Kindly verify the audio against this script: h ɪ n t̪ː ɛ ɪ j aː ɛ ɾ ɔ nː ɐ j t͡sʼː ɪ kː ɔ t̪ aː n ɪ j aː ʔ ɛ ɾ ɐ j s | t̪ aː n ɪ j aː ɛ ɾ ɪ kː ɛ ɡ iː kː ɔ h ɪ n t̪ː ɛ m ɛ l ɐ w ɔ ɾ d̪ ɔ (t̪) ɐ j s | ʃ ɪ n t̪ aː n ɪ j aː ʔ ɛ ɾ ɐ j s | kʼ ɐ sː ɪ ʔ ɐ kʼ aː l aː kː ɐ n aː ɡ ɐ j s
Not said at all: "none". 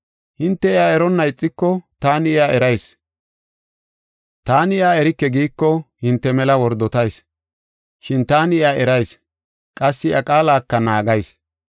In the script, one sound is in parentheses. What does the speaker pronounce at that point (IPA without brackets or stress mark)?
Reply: t̪